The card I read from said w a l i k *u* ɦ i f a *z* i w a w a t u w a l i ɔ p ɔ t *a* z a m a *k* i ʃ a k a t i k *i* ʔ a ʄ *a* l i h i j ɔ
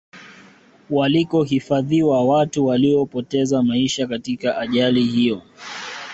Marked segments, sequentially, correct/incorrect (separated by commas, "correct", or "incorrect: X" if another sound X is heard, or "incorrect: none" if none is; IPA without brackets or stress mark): incorrect: ɔ, incorrect: ð, incorrect: ɛ, incorrect: none, incorrect: a, correct